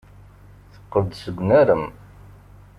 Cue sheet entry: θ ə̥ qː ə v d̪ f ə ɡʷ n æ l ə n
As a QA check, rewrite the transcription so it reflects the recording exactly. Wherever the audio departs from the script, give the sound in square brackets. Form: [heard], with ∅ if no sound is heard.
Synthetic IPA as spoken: θ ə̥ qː ə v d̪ [s] ə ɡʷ n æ [ɾ] ə [m]